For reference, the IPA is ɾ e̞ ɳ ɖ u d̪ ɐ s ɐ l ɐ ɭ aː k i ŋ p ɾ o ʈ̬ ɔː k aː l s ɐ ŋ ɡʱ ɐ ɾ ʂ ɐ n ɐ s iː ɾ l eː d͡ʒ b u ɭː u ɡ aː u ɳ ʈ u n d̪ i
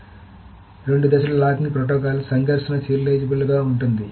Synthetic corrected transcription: ɾ e̞ ɳ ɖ u d̪ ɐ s ɐ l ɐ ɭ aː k i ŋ p ɾ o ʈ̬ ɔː k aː l s ɐ ŋ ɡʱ ɐ ɾ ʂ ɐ n ɐ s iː ɾ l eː d͡ʒ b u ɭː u ɡ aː u ɳ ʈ u n d̪ i